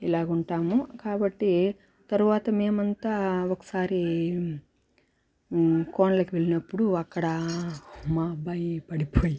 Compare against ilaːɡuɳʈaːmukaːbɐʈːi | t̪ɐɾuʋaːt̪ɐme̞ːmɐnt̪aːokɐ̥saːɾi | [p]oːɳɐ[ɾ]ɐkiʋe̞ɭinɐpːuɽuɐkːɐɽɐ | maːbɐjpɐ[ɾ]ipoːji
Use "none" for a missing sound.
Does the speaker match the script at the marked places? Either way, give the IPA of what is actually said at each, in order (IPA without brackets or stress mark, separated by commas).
k, l, ɽ